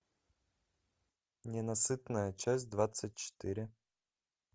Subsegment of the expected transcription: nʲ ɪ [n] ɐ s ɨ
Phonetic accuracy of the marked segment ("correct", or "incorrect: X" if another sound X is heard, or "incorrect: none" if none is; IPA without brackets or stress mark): correct